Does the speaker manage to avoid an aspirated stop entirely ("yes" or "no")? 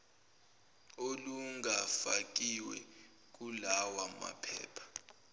no